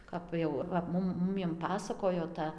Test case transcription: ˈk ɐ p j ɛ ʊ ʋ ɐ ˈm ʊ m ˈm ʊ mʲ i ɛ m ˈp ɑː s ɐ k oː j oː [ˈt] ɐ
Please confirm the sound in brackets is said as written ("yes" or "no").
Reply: yes